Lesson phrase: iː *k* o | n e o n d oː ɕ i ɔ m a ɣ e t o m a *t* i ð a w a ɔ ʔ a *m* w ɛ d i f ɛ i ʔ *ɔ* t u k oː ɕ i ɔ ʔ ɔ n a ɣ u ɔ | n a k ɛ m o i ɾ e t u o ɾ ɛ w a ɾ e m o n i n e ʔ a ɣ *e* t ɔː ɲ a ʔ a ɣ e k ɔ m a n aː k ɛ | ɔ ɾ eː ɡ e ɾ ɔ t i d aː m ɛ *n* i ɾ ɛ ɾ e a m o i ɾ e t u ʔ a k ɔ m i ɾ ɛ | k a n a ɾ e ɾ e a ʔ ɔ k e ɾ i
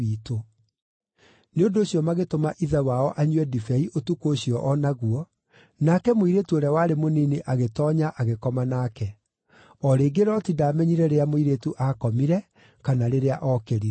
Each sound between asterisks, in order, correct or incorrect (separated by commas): incorrect, incorrect, incorrect, incorrect, correct, incorrect